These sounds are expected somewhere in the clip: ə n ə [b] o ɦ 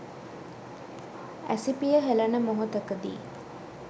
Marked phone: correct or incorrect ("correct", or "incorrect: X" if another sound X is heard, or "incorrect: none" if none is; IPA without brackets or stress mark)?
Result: incorrect: m